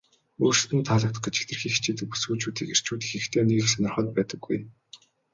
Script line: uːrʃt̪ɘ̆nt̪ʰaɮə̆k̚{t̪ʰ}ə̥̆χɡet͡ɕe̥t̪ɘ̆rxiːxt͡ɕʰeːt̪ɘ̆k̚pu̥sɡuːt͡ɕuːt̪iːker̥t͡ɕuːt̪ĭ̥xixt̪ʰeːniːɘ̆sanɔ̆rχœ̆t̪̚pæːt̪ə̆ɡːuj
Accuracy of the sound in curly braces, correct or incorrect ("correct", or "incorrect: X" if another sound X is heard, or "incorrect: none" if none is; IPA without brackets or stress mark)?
incorrect: t̪